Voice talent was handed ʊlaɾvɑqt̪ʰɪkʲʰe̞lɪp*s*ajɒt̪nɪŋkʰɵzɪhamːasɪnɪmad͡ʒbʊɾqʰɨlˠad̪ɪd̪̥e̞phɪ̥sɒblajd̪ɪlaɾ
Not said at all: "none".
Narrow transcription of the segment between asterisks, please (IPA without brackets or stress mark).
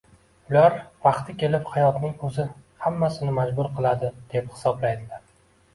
h